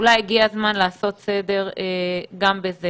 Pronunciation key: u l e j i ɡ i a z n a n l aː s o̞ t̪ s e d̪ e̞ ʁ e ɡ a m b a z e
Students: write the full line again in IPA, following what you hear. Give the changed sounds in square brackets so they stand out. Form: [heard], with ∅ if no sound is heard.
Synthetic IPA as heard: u l [a] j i ɡ i a z [m] a n l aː s o̞ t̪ s e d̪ e̞ ʁ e ɡ a m b [e] z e